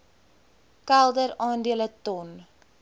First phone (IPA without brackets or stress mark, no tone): k